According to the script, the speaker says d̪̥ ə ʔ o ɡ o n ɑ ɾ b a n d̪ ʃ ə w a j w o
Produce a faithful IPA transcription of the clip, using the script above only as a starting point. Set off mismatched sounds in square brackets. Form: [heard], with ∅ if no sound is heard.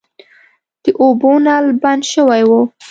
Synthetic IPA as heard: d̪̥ ə ʔ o [b] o n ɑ [l] b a n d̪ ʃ ə w a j w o